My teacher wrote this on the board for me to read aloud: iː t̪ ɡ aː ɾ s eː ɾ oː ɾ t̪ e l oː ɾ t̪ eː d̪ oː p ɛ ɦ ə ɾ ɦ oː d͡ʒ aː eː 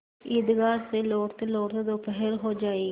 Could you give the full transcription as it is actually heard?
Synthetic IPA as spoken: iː d̪ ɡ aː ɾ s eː l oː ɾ t̪ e l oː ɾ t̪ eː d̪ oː p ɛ ɦ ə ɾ ɦ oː d͡ʒ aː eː